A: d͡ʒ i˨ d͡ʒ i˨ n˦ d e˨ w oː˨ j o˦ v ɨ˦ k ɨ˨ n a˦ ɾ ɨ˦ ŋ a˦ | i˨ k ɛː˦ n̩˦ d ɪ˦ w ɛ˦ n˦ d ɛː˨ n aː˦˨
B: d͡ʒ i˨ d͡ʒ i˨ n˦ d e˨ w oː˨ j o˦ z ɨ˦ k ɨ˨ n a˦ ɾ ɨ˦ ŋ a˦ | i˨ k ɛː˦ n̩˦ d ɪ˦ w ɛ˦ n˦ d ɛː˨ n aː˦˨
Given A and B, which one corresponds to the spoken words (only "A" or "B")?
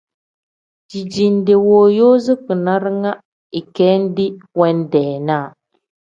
B